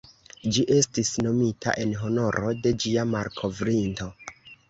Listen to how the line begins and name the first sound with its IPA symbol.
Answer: d͡ʒ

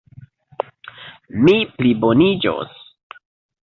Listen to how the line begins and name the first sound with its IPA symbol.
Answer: m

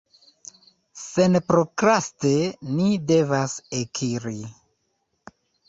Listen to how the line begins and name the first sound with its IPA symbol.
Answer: s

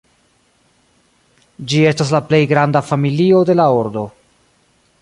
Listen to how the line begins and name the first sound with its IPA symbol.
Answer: d͡ʒ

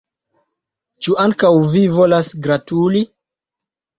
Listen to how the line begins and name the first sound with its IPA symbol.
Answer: t͡ʃ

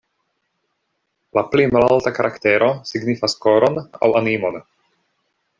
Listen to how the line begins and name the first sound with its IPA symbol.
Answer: l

